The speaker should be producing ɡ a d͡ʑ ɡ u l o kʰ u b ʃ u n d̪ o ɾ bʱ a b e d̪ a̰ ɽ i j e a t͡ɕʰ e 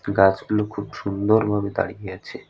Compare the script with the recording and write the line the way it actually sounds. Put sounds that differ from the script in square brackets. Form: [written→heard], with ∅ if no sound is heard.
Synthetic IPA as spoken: ɡ a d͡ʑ ɡ u l o kʰ u b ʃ u n d̪ o ɾ bʱ a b e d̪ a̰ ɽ i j e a t͡ɕʰ e